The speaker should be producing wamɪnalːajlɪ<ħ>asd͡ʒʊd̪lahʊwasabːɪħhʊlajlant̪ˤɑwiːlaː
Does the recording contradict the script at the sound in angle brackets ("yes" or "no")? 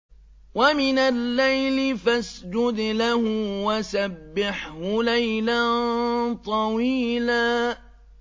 yes